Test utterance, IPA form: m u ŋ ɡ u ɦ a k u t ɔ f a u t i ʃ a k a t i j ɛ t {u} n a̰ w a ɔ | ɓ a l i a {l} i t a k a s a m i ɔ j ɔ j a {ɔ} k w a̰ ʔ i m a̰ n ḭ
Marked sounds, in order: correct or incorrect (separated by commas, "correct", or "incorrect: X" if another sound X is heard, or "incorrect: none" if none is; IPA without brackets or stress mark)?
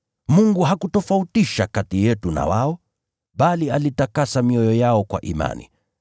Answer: correct, correct, correct